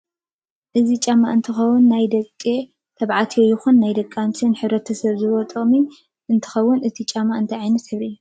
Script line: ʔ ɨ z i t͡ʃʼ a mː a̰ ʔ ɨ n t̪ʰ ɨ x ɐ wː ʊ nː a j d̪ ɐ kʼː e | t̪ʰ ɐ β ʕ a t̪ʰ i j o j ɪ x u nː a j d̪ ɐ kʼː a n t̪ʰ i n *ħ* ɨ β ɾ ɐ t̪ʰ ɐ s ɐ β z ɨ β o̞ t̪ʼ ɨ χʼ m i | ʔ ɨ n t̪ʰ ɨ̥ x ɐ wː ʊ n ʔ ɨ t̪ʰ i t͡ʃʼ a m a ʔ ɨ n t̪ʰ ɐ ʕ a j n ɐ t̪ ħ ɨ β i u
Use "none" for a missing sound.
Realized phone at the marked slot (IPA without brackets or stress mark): ħ